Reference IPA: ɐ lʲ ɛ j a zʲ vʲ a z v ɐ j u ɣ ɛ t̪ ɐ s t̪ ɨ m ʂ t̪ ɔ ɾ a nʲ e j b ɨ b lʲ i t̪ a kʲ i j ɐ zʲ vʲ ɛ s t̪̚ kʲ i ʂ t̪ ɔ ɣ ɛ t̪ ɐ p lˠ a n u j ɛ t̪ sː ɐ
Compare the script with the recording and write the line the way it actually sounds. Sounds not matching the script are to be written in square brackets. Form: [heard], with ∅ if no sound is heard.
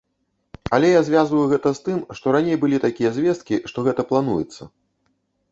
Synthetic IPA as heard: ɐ lʲ ɛ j a zʲ vʲ a z v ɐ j u ɣ ɛ t̪ ɐ s t̪ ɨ m ʂ t̪ ɔ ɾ a nʲ e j b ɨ [∅] lʲ i t̪ a kʲ i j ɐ zʲ vʲ ɛ s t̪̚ kʲ i ʂ t̪ ɔ ɣ ɛ t̪ ɐ p lˠ a n u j ɛ t̪ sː ɐ